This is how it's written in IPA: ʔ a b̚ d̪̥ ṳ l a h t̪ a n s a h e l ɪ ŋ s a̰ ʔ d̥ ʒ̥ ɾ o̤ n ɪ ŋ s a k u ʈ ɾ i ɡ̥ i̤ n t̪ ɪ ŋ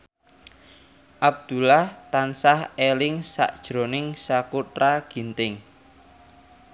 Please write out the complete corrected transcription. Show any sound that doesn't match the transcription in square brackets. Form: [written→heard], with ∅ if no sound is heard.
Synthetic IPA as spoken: ʔ a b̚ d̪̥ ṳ l a h t̪ a n s a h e l ɪ ŋ s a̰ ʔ d̥ ʒ̥ ɾ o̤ n ɪ ŋ s a k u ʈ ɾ [i→a] ɡ̥ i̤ n t̪ ɪ ŋ